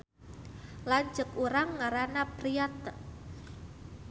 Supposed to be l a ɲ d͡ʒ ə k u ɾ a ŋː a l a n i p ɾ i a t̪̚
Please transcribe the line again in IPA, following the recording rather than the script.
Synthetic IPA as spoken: l a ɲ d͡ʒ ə k u ɾ a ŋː a ɾ a n a p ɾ i a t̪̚

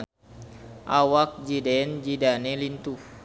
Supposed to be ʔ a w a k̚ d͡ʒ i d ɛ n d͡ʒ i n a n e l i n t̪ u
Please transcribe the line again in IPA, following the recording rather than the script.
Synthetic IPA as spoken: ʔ a w a k̚ d͡ʒ i d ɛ n d͡ʒ i d a n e l i n t̪ u

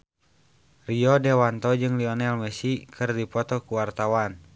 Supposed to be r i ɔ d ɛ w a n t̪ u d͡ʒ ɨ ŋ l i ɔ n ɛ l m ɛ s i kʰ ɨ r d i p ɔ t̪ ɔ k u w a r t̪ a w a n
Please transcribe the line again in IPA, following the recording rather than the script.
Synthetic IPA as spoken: r i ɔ d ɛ w a n t̪ ɔ d͡ʒ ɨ ŋ l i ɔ n ɛ l m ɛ s i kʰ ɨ r d i p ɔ t̪ ɔ k u w a r t̪ a w a n

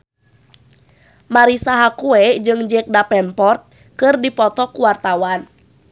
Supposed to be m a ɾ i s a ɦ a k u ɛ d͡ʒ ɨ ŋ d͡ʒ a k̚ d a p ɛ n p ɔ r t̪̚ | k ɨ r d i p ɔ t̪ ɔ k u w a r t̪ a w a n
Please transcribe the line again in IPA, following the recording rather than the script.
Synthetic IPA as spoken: m a ɾ i s a ɦ a k u ɛ d͡ʒ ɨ ŋ d͡ʒ ɛ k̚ d a p ɛ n p ɔ r t̪̚ | k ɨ r d i p ɔ t̪ ɔ k u w a r t̪ a w a n

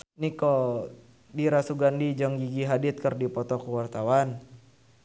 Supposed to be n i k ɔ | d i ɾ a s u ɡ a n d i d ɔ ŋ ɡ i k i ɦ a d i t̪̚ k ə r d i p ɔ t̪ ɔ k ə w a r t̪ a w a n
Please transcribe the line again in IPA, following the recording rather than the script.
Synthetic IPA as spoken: n i k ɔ | d i ɾ a s u ɡ a n d i d͡ʒ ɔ ŋ ɡ i ɡ i ɦ a d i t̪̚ k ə r d i p ɔ t̪ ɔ k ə w a r t̪ a w a n

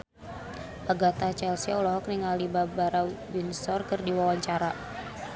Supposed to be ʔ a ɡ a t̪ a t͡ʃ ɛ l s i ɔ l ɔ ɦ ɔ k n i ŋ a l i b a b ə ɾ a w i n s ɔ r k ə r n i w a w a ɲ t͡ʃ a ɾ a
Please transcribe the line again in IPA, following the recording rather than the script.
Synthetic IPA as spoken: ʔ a ɡ a t̪ a t͡ʃ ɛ l s i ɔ l ɔ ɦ ɔ k n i ŋ a l i b a b a ɾ a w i n s ɔ r k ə r d i w a w a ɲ t͡ʃ a ɾ a

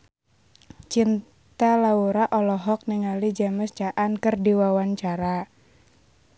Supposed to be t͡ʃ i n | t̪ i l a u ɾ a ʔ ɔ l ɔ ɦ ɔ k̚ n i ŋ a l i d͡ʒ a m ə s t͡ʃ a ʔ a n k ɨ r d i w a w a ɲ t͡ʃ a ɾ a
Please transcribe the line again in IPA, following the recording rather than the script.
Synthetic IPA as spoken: t͡ʃ i n | t̪ a l a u ɾ a ʔ ɔ l ɔ ɦ ɔ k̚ n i ŋ a l i d͡ʒ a m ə s t͡ʃ a ʔ a n k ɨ r d i w a w a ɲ t͡ʃ a ɾ a

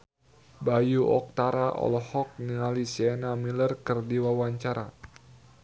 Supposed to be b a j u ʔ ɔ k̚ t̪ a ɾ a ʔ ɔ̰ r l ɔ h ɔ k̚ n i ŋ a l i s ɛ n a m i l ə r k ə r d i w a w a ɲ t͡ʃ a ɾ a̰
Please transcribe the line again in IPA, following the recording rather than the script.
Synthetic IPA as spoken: b a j u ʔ ɔ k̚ t̪ a ɾ a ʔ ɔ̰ l ɔ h ɔ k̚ n i ŋ a l i s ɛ n a m i l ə r k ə r d i w a w a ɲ t͡ʃ a ɾ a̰

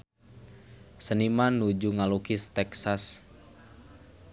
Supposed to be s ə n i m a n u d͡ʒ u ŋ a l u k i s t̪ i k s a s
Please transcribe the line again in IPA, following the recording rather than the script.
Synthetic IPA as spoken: s ə n i m a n u d͡ʒ u ŋ a l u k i s t̪ ɛ k s a s

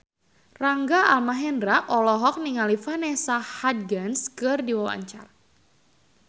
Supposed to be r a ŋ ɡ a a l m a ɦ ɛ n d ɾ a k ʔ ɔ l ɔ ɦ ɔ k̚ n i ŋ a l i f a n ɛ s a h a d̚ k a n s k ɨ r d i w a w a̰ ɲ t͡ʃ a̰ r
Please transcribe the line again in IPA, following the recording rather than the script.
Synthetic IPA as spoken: r a ŋ ɡ a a l m a ɦ ɛ n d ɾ a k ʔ ɔ l ɔ ɦ ɔ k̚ n i ŋ a l i f a n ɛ s a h a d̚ ɡ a n s k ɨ r d i w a w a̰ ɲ t͡ʃ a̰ r

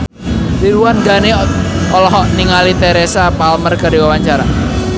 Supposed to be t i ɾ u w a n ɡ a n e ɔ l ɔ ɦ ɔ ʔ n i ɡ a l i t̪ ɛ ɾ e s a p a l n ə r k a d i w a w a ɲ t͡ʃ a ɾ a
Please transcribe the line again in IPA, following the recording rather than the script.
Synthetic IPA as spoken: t i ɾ u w a n ɡ a n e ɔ l ɔ ɦ ɔ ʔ n i ŋ a l i t̪ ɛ ɾ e s a p a l m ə r k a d i w a w a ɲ t͡ʃ a ɾ a

